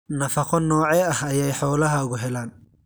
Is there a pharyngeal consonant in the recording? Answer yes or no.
yes